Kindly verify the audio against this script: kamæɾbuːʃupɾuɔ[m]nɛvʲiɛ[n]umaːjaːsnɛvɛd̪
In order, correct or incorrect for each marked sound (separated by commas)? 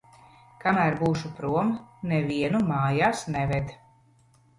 correct, correct